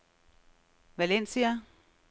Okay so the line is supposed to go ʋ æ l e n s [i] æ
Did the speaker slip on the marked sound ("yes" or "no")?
no